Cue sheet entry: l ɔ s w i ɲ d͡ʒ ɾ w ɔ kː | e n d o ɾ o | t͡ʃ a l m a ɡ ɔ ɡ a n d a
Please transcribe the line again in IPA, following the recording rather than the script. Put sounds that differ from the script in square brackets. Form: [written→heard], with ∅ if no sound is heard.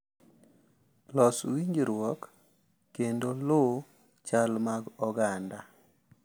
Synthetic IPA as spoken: l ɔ s w i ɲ d͡ʒ ɾ w ɔ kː | e n d o [ɾ→l] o | t͡ʃ a l m a ɡ ɔ ɡ a n d a